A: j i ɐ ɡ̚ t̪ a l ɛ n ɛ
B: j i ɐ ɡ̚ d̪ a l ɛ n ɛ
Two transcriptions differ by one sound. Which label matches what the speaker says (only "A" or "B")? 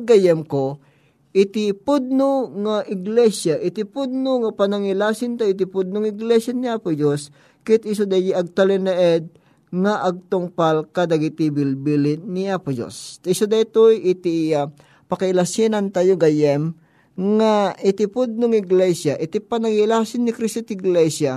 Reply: A